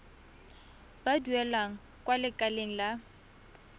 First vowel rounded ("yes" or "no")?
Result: no